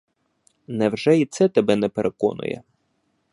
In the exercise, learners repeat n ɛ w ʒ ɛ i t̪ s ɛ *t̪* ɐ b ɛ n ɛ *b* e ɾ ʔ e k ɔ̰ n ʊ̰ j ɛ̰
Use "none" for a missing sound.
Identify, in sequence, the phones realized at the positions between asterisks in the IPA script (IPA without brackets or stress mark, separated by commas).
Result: t̪, p